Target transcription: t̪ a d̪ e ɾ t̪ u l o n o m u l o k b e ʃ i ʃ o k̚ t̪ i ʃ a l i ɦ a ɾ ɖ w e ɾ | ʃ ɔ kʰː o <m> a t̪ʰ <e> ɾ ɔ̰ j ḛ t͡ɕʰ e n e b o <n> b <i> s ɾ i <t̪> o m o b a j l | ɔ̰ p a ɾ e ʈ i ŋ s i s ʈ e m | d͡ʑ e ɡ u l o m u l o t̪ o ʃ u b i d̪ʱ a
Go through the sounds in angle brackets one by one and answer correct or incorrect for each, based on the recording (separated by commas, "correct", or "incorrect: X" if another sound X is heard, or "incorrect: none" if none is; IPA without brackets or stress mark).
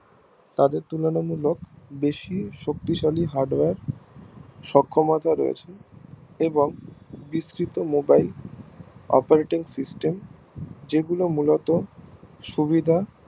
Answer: correct, incorrect: a, incorrect: ŋ, correct, correct